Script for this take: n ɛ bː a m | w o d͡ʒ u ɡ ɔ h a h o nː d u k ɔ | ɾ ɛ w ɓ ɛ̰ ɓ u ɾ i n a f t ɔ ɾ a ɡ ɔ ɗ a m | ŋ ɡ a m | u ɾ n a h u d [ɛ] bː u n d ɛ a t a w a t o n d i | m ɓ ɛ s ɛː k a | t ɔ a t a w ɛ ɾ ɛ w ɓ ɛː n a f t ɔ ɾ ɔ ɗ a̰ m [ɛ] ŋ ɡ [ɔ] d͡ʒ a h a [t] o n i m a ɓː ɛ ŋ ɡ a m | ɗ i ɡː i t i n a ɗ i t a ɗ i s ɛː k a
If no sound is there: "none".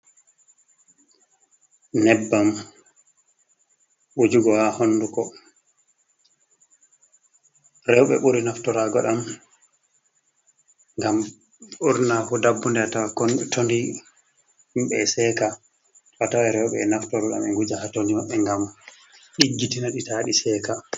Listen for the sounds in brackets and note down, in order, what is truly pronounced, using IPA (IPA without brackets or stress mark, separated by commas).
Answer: a, ɛ, u, t